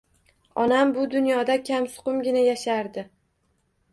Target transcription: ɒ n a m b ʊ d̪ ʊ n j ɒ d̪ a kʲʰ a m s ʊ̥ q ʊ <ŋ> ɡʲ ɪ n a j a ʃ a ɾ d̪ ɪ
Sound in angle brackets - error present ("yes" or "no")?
yes